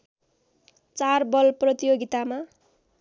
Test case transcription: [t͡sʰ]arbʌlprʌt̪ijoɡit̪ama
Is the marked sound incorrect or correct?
incorrect